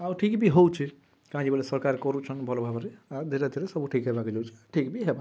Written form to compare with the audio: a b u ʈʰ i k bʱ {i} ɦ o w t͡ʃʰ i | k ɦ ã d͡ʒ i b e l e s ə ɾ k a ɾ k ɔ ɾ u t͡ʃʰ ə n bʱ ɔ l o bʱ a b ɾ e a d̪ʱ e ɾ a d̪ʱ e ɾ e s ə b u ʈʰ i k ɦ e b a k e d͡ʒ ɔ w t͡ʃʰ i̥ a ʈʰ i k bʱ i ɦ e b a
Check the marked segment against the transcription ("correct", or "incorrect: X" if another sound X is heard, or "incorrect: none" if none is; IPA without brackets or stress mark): correct